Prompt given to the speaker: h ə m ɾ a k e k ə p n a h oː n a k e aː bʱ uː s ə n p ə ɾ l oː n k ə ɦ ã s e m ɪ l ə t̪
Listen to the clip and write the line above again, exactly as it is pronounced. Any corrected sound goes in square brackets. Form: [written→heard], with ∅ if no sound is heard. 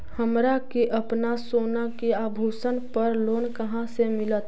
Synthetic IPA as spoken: h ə m ɾ a k e [k→ʔ] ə p n a [h→s] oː n a k e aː bʱ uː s ə n p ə ɾ l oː n k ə ɦ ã s e m ɪ l ə t̪